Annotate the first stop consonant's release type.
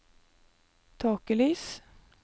aspirated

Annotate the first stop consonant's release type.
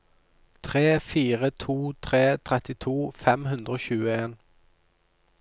aspirated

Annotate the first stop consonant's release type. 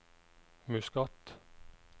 plain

